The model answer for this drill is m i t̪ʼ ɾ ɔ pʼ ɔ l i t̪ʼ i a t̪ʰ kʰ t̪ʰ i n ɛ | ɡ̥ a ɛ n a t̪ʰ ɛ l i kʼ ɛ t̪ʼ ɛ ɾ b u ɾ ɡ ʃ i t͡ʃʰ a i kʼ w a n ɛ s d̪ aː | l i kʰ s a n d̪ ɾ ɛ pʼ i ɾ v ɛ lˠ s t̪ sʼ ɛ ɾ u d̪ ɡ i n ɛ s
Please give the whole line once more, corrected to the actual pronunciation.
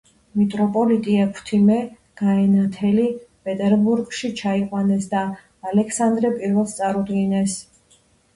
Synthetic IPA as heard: m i t̪ʼ ɾ ɔ pʼ ɔ l i t̪ʼ i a kʰ t̪ʰ i m ɛ | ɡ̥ a ɛ n a t̪ʰ ɛ l i pʼ ɛ t̪ʼ ɛ ɾ b u ɾ ɡ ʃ i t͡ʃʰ a i qʼ w a n ɛ s d̪ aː | l ɛ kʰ s a n d̪ ɾ ɛ pʼ i ɾ v ɛ lˠ s t̪ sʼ a ɾ u d̪ ɡ i n ɛ s